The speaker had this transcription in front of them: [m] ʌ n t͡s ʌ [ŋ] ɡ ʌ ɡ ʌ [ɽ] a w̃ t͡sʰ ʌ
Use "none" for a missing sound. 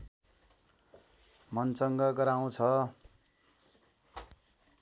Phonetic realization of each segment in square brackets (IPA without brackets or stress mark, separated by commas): m, ŋ, ɾ